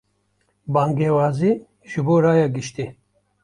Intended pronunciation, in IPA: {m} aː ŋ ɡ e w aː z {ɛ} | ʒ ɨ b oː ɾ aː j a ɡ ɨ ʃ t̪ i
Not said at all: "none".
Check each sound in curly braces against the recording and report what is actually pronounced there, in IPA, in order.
b, i

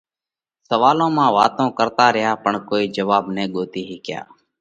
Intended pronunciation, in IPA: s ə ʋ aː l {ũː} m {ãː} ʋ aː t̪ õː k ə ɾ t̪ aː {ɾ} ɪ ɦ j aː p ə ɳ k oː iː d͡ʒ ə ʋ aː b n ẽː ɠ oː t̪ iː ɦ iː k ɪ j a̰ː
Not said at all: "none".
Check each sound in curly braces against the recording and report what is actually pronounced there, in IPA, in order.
õː, ãː, ɾ

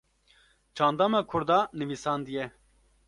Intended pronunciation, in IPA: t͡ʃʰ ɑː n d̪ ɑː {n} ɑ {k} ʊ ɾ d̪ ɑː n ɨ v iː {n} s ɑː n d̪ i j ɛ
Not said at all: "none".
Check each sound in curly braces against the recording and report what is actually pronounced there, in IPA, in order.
m, kʰ, none

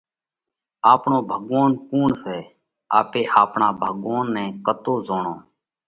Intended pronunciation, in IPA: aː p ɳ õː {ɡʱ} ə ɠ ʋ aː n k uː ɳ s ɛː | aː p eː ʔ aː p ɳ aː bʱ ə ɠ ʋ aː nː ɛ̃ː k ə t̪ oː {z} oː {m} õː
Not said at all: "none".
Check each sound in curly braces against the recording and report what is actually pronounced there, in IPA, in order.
bʱ, z, ɳ

